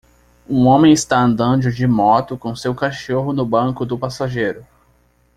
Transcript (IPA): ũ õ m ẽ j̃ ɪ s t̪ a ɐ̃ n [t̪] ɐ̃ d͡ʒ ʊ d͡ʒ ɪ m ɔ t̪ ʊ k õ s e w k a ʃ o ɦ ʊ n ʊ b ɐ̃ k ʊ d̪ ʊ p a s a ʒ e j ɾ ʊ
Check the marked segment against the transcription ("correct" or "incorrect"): incorrect